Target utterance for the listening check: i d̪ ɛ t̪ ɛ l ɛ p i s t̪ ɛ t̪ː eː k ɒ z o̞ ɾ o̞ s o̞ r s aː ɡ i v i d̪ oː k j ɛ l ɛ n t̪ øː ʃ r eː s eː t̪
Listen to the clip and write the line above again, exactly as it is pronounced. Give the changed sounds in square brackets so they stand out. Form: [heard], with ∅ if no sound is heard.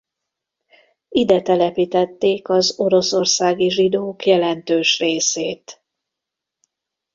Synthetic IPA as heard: i d̪ ɛ t̪ ɛ l ɛ p i [∅] t̪ ɛ t̪ː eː k ɒ z o̞ ɾ o̞ s o̞ r s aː ɡ i [ʒ] i d̪ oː k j ɛ l ɛ n t̪ øː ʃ r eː s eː t̪